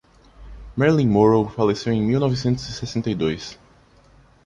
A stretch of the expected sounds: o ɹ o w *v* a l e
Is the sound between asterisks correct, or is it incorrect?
incorrect